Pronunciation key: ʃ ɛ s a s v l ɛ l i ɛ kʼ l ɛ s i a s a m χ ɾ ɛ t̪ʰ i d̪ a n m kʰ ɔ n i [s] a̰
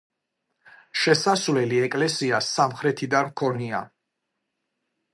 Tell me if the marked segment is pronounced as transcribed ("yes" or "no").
no